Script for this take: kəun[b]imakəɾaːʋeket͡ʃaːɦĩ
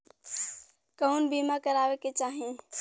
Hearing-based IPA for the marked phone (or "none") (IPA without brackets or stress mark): b